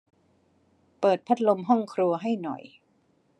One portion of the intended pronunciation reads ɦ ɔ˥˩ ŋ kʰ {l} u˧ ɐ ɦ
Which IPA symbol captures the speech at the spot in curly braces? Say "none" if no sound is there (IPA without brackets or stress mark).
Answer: ɾ